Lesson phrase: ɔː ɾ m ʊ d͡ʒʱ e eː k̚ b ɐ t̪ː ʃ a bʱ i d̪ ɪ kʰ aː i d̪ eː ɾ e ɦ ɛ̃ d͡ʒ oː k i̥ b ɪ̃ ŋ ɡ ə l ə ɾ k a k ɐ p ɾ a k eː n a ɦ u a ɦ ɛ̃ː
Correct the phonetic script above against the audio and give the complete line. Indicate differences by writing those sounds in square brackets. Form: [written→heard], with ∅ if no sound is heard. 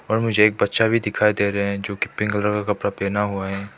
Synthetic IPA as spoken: ɔː ɾ m ʊ d͡ʒʱ e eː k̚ b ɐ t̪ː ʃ a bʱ i d̪ ɪ kʰ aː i d̪ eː ɾ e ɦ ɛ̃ d͡ʒ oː k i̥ [b→p] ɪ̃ ŋ ɡ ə l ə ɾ k a k ɐ p ɾ a [k→p] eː n a ɦ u a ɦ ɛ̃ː